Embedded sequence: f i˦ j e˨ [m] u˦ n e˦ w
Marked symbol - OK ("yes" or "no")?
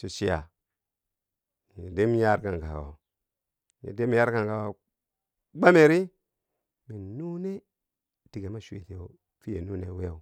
no